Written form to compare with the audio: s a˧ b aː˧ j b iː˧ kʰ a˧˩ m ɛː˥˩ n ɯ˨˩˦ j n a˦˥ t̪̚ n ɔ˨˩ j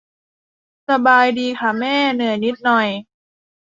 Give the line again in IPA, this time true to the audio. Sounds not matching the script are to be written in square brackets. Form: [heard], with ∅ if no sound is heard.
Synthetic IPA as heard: s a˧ b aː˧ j [d] iː˧ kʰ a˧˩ m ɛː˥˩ n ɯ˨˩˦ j n [i˦˥] t̪̚ n ɔ˨˩ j